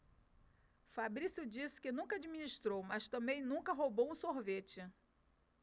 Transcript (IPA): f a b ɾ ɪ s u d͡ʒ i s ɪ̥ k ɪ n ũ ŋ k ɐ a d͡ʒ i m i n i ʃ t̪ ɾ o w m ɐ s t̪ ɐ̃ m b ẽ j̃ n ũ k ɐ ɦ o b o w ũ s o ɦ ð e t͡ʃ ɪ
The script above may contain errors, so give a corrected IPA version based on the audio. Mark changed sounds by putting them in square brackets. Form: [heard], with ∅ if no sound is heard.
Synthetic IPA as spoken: f a b ɾ [i] s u d͡ʒ i s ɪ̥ k ɪ n ũ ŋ k ɐ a d͡ʒ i m i n i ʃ t̪ ɾ o w m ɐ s t̪ ɐ̃ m b ẽ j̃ n ũ k ɐ ɦ o b o w ũ s o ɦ [v] e t͡ʃ ɪ